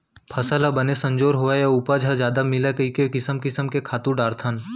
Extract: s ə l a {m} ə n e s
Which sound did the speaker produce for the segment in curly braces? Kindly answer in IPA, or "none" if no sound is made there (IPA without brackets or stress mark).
b